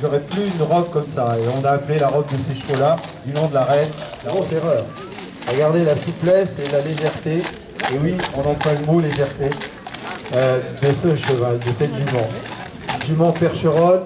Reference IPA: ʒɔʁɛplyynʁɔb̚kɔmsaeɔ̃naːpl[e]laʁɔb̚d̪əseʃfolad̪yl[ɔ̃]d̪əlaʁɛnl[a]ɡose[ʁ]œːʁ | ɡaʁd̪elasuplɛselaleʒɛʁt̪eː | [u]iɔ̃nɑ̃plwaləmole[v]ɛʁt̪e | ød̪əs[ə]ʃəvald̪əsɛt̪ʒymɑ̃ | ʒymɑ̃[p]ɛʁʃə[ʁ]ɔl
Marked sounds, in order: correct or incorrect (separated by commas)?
correct, correct, correct, correct, incorrect, incorrect, correct, correct, correct